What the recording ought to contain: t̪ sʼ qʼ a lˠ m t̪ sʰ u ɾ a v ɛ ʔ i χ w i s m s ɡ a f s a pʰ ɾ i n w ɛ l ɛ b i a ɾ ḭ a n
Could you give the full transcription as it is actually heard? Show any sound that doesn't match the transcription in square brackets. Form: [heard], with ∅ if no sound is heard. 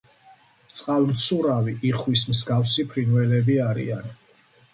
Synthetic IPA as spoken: t̪ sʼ qʼ a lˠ m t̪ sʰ u ɾ a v [i] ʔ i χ w i s m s ɡ a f s [i] pʰ ɾ i n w ɛ l ɛ b i a ɾ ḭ a n